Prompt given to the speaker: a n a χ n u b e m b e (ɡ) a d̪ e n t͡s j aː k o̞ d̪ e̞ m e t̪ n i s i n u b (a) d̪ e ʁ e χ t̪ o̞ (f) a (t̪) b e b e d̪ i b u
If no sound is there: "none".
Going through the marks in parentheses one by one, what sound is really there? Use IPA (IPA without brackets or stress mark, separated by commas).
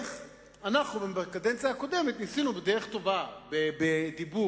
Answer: k, e, v, none